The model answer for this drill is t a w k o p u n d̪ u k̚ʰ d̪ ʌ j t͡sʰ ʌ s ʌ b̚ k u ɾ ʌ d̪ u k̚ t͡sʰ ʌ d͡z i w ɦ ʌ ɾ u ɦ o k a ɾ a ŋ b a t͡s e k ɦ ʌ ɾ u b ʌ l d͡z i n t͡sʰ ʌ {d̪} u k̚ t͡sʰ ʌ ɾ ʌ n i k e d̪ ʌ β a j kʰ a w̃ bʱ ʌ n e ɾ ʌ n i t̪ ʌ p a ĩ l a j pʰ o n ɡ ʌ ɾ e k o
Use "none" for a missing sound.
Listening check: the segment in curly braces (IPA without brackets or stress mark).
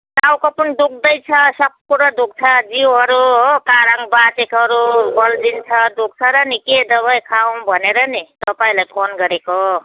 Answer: d̪